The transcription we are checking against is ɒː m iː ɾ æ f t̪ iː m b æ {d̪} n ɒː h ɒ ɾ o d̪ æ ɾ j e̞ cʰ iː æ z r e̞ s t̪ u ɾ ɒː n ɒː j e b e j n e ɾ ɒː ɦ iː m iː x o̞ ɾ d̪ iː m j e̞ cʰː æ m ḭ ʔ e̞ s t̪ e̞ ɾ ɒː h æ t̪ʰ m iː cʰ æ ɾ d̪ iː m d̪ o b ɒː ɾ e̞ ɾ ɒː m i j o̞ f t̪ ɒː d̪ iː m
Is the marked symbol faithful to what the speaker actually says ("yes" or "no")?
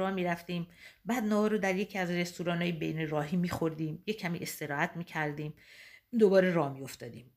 yes